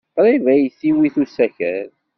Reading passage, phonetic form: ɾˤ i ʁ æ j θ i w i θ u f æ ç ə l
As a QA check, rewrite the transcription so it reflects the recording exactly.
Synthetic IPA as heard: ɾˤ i v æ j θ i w i θ u s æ ç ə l